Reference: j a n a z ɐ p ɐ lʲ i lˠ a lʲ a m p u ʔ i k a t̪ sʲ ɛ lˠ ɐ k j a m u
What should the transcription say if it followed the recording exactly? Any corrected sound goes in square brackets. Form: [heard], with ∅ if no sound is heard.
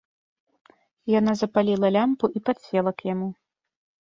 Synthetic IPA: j a n a z ɐ p [a] lʲ i lˠ [ɐ] lʲ a m p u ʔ i [p] a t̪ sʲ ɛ lˠ ɐ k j a m u

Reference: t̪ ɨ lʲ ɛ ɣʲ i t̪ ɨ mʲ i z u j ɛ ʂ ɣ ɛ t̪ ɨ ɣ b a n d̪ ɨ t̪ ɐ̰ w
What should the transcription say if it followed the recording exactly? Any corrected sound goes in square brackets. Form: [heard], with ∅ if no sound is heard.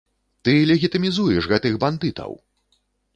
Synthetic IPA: t̪ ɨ lʲ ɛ ɣʲ i t̪ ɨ mʲ i z u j ɛ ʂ ɣ ɛ t̪ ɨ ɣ b a n d̪ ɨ t̪ ɐ̰ w

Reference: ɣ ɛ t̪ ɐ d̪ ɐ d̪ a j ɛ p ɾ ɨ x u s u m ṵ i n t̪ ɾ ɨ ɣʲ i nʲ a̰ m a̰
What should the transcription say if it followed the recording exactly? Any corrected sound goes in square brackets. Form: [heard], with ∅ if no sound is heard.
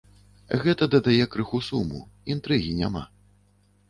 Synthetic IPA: ɣ ɛ t̪ ɐ d̪ ɐ d̪ a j ɛ [k] ɾ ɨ x u s u m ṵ i n t̪ ɾ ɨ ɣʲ i nʲ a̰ m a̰

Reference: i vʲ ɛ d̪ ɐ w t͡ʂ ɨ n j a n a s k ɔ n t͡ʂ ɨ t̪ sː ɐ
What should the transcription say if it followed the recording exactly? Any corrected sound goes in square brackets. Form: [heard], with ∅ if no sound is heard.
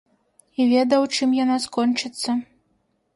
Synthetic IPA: i vʲ ɛ d̪ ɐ w t͡ʂ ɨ [m] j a n a s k ɔ n t͡ʂ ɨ t̪ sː ɐ

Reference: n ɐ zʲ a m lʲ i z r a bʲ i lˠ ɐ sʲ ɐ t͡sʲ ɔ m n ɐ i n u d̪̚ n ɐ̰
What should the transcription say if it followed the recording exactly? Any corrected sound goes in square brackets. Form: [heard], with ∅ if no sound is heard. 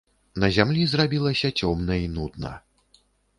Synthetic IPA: n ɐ zʲ a m lʲ i z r a bʲ i lˠ ɐ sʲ ɐ t͡sʲ ɔ m n ɐ i n u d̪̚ n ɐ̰

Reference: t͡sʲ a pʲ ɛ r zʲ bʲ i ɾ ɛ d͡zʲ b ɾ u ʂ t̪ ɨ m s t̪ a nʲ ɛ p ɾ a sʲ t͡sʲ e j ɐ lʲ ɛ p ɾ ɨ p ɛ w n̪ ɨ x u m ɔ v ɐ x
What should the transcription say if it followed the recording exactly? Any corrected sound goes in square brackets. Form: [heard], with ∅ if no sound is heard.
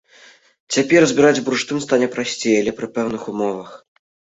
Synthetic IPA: t͡sʲ a pʲ ɛ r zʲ bʲ i ɾ [a] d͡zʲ b ɾ u ʂ t̪ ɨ m s t̪ a nʲ ɛ p ɾ a sʲ t͡sʲ e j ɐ lʲ ɛ p ɾ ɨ p ɛ w n̪ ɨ x u m ɔ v ɐ x

